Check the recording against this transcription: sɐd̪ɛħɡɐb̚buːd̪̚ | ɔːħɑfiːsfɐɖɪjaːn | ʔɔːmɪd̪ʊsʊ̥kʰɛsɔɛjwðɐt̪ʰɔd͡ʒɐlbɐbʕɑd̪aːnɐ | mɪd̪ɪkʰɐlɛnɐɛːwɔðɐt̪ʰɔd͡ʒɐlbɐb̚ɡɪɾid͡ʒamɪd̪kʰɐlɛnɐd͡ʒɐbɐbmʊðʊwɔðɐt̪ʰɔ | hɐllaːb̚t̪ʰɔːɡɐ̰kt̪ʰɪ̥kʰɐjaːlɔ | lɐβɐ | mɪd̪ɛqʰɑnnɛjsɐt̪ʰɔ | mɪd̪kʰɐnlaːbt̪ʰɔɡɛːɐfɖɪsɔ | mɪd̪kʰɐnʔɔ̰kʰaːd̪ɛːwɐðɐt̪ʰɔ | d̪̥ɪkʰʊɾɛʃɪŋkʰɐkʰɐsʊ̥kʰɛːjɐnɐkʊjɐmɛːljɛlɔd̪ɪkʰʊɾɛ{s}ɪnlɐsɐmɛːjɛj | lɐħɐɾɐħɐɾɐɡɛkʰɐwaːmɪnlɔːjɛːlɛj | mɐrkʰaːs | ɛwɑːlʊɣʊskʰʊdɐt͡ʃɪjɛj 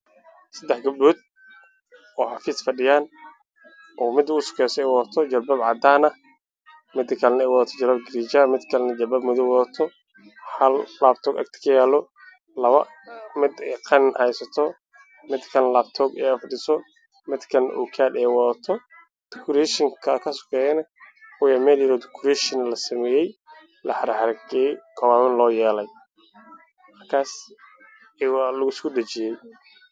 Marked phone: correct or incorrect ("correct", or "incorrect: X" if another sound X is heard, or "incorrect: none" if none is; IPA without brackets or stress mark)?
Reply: incorrect: ʃ